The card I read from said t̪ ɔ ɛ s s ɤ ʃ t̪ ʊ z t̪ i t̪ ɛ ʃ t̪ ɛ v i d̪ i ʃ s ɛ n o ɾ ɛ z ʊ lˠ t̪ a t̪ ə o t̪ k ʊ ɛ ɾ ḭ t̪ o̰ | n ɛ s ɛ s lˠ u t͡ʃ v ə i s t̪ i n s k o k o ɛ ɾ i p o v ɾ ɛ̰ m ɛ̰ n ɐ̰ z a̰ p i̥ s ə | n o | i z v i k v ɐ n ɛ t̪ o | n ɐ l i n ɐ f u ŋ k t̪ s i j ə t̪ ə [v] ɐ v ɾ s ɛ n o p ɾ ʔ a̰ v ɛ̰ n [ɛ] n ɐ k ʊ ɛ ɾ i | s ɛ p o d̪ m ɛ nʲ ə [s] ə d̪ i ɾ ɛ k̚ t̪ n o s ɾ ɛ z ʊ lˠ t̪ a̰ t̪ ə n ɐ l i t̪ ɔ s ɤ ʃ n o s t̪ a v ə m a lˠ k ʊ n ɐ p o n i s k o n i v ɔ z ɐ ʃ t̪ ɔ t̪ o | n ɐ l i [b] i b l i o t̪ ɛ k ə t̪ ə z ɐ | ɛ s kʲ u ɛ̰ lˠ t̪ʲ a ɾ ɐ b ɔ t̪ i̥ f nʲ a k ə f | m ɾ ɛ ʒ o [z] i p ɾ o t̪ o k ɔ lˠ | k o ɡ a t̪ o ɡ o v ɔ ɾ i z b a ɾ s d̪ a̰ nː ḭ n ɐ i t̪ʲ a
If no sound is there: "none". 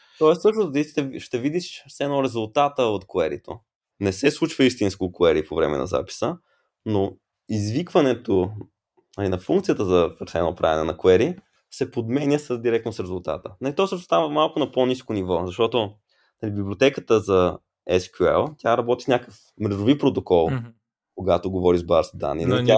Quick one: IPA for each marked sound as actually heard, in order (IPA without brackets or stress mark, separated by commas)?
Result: z, ɛ, s, b, v